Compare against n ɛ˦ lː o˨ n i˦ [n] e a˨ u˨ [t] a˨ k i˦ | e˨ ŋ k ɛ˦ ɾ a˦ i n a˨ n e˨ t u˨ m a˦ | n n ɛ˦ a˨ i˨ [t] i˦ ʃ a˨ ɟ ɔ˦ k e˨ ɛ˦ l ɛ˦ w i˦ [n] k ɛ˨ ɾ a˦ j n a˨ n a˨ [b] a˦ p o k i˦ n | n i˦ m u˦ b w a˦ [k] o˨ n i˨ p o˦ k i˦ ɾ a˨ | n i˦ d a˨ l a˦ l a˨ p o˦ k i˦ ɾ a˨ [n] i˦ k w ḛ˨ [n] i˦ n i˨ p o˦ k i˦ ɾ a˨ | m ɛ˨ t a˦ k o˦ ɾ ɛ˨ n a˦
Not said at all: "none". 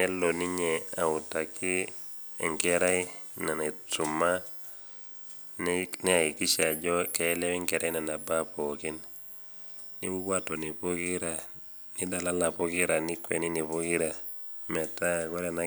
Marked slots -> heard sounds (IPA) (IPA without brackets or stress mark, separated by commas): ɲ, t, k, ŋ, b, t, n, n